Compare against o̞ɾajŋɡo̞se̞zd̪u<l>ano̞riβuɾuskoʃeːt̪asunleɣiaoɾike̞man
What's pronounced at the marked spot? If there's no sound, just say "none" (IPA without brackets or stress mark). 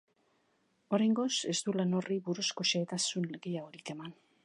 l